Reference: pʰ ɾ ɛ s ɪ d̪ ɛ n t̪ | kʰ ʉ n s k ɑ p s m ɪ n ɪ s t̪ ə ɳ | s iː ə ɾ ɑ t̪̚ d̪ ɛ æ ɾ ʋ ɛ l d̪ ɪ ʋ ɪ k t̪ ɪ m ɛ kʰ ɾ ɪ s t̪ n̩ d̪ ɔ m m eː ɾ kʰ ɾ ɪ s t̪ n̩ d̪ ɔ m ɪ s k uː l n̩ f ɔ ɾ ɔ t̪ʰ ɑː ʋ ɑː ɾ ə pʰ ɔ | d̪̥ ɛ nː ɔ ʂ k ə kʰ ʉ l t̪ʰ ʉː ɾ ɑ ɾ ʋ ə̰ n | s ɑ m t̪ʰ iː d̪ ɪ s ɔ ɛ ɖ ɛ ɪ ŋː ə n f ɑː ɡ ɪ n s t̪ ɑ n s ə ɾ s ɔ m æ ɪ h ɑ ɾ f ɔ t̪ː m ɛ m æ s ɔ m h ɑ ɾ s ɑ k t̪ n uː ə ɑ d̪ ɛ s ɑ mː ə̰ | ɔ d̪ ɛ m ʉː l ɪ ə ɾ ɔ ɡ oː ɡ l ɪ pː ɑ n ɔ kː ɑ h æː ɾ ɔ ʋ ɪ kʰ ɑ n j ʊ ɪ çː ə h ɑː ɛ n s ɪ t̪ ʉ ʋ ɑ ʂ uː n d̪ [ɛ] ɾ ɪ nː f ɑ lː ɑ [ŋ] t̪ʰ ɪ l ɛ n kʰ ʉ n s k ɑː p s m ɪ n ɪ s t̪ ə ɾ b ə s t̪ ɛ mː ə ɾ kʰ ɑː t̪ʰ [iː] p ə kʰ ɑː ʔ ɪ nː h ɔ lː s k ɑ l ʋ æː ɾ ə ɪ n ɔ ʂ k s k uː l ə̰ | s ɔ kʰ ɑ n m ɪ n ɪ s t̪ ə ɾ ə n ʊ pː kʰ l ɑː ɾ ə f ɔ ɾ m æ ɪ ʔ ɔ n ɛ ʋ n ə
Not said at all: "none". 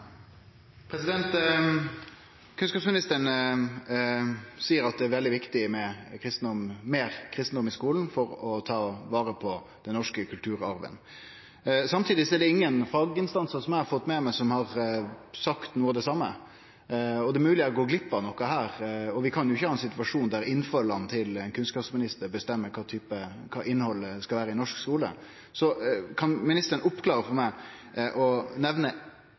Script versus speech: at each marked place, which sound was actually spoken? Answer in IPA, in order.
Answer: æ, n, yː

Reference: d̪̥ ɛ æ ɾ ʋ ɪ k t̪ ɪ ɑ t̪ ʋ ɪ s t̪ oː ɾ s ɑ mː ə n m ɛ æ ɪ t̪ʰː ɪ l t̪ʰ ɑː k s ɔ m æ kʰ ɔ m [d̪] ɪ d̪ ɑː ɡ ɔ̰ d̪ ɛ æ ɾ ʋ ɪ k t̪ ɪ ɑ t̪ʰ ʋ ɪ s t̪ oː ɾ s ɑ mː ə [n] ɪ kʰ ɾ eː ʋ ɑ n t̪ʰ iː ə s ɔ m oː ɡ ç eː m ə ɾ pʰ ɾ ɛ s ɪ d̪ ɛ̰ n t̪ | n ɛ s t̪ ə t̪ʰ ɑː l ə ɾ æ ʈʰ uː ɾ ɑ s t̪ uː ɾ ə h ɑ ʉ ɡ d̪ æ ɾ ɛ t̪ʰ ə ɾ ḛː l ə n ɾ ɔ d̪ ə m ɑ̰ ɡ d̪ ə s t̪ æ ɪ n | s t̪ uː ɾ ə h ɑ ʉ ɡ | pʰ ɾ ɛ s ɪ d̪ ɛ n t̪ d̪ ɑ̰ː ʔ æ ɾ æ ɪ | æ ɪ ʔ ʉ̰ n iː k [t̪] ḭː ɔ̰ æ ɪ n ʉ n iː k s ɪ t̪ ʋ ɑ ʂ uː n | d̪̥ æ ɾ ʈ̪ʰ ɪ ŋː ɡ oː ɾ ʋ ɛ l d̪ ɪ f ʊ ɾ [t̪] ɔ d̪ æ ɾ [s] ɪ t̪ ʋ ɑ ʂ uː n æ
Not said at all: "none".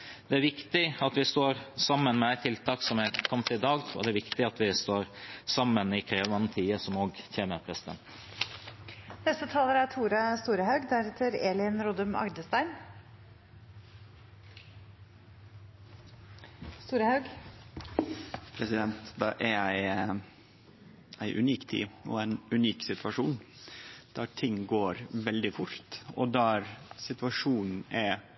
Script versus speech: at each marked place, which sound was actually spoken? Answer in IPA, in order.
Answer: t̪, n, t̪ʰ, t̪, s

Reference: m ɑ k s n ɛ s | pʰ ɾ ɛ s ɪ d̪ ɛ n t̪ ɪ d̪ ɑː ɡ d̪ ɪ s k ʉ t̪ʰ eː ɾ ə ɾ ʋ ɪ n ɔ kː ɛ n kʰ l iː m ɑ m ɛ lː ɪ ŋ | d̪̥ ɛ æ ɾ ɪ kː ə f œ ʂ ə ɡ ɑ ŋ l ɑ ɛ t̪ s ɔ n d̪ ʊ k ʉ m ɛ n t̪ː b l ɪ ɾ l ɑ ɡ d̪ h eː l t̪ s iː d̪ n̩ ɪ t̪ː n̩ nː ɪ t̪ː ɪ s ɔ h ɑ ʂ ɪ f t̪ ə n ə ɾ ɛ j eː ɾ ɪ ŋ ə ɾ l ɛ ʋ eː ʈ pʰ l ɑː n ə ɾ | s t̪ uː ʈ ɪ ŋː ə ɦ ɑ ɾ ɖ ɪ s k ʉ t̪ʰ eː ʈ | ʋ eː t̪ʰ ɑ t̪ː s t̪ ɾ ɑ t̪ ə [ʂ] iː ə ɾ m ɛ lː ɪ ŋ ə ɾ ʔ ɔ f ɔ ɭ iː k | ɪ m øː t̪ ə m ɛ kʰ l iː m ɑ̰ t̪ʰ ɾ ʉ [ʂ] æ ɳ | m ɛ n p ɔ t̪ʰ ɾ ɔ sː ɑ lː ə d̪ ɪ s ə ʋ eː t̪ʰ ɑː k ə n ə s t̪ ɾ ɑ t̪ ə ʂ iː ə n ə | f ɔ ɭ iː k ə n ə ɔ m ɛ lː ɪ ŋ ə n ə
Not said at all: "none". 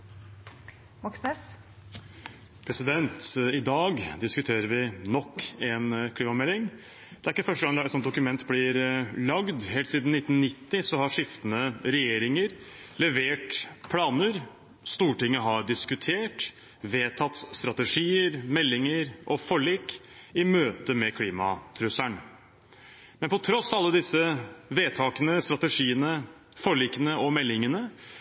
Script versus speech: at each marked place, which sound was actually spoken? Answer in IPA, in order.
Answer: ʂ, s

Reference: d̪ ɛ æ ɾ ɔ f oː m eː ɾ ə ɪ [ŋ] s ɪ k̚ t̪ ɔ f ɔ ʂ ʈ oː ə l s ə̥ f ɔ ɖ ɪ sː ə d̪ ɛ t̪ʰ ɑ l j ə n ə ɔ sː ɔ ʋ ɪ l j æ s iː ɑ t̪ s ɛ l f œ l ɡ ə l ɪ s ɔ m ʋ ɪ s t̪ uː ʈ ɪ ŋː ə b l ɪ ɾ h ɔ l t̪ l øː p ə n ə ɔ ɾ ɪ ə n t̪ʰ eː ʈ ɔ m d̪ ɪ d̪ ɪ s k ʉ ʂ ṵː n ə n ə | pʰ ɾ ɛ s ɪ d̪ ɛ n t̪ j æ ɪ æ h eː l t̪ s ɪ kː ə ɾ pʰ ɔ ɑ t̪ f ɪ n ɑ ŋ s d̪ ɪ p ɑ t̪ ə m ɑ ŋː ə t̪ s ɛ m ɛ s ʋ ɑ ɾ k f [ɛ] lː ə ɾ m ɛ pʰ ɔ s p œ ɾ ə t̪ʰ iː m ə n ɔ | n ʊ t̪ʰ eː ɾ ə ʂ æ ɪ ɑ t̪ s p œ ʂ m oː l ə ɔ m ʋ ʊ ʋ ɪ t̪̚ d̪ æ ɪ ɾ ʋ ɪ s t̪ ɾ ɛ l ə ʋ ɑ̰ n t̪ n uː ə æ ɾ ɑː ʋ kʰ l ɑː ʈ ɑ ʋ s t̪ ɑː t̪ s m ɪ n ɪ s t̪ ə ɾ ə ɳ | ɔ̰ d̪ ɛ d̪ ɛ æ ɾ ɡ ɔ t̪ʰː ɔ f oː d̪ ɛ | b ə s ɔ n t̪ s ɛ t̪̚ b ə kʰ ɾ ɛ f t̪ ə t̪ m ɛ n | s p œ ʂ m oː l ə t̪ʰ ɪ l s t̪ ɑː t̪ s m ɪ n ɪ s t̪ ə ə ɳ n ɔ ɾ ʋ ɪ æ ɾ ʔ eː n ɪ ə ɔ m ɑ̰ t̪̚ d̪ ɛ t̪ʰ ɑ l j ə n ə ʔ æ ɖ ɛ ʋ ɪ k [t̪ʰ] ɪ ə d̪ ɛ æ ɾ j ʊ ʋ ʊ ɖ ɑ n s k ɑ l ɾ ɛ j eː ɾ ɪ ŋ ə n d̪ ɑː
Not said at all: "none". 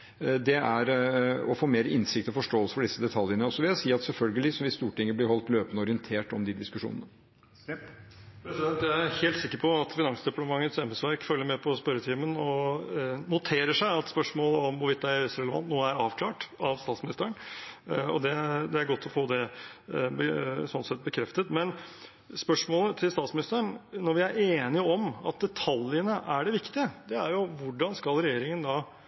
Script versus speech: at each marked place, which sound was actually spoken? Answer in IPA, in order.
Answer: n, œ, t̪

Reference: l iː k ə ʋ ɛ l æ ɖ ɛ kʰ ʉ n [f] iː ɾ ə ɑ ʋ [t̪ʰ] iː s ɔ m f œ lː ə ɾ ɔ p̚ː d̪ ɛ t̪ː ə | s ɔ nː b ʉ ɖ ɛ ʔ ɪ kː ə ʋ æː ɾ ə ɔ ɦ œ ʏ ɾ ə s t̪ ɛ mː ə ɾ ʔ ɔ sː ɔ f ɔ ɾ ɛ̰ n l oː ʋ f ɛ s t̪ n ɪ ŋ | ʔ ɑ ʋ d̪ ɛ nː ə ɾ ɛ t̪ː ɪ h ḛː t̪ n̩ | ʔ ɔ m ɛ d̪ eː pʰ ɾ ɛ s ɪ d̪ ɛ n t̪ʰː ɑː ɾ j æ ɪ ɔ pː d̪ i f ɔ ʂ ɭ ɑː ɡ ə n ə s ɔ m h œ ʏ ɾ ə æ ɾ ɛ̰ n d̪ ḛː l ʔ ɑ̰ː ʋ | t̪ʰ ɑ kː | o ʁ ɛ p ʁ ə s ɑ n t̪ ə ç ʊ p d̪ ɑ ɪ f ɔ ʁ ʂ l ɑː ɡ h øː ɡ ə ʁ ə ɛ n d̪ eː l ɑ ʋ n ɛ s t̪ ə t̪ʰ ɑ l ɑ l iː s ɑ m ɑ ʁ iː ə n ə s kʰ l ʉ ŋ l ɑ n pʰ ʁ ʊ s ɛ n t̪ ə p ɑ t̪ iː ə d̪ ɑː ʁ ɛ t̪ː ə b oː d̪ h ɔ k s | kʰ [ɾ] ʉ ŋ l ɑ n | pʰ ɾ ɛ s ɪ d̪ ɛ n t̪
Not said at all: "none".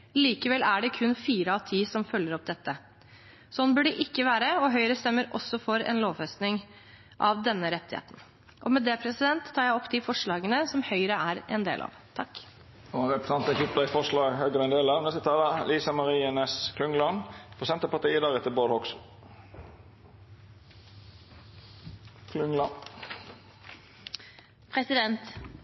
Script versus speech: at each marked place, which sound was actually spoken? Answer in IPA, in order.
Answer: f, t̪ʰ, l

